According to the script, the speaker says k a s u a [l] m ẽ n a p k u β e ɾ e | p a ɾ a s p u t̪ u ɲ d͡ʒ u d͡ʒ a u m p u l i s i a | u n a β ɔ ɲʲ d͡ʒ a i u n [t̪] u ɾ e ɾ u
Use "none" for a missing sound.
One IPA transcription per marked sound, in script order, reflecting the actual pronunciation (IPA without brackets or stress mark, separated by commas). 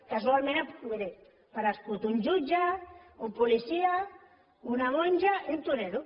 l, t̪